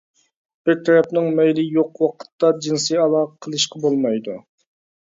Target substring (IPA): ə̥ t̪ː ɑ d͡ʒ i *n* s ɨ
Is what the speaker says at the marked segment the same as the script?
yes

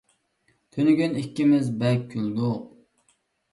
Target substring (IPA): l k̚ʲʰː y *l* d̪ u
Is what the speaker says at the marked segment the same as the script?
yes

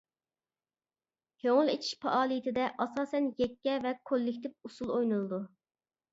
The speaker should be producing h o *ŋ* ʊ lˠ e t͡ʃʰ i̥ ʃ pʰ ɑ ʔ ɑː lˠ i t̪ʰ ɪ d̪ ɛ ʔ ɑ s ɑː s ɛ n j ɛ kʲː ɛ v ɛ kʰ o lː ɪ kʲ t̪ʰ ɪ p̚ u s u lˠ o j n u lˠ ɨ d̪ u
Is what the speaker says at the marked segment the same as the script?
yes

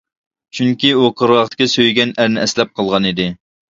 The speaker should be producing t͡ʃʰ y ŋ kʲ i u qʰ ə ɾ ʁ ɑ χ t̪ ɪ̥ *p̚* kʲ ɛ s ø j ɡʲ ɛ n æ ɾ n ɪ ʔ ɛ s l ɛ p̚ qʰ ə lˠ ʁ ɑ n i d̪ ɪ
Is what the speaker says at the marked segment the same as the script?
no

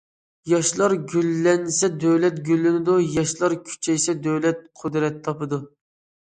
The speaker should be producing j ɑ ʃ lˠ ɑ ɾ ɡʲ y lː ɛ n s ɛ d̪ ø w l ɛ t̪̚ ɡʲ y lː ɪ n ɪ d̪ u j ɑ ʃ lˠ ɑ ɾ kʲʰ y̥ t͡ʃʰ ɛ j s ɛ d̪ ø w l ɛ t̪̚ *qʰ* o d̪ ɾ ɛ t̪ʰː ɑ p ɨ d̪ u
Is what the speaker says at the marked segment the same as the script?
yes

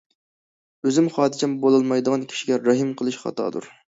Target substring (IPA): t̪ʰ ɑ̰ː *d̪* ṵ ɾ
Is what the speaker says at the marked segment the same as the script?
yes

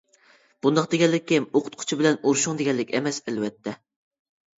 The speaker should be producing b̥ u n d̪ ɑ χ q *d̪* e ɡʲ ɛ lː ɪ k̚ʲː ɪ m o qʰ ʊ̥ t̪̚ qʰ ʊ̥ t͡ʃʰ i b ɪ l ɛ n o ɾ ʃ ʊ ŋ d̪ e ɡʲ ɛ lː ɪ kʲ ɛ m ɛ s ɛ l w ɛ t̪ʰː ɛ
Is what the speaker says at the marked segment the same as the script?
yes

